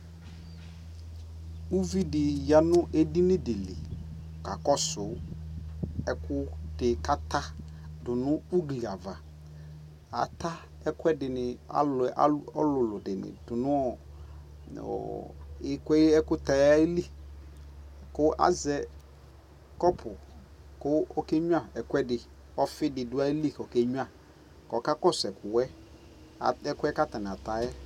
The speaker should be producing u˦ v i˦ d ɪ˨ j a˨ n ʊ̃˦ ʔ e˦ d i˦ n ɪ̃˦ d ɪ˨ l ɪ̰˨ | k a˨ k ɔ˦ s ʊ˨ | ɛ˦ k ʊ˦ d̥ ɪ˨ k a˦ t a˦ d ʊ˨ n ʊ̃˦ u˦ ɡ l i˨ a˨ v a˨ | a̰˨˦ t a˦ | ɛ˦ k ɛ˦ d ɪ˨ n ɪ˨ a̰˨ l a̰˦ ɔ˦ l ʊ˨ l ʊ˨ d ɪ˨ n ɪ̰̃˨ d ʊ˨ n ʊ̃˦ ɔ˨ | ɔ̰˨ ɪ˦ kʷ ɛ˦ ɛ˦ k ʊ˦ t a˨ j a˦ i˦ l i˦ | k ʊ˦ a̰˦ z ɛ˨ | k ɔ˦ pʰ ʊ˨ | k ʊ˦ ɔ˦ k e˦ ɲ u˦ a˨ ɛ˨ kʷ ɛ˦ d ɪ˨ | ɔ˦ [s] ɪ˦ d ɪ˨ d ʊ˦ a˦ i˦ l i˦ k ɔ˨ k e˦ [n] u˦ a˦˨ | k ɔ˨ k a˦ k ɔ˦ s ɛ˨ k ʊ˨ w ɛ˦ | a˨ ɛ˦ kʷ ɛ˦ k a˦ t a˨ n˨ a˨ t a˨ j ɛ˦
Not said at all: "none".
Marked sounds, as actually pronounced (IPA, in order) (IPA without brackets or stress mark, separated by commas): f, ɲ